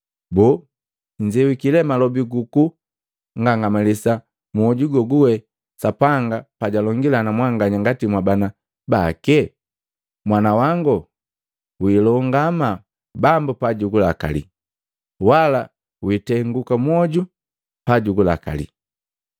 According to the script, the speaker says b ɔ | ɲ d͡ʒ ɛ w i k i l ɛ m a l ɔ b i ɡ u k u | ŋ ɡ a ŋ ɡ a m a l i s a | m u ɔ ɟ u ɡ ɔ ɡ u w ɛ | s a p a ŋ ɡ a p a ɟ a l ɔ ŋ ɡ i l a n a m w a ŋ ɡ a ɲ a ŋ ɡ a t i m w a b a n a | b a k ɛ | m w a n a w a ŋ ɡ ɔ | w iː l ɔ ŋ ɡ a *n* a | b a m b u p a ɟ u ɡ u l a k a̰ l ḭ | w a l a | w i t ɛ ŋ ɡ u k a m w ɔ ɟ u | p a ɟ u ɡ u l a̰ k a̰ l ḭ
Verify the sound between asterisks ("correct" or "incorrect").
incorrect